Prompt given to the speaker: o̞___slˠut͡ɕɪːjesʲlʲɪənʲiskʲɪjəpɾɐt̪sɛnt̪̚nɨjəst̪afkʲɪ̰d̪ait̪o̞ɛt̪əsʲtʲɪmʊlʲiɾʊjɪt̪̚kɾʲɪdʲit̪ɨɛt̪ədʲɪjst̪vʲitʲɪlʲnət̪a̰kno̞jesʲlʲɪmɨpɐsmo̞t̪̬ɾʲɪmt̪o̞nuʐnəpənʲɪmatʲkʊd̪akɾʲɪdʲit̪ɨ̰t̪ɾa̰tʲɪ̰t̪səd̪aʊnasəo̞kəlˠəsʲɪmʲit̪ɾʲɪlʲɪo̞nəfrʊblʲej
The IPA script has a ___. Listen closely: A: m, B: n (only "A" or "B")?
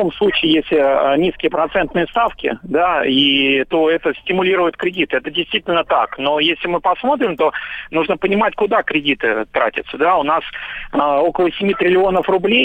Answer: A